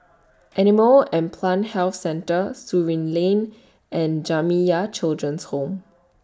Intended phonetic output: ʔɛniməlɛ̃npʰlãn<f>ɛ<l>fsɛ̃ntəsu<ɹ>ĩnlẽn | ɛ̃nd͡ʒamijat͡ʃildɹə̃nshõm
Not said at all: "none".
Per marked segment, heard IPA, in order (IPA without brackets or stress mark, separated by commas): h, l, ɹ